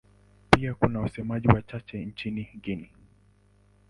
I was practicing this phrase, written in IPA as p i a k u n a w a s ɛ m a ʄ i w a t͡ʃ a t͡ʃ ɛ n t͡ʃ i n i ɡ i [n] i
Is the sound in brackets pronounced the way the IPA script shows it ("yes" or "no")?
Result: yes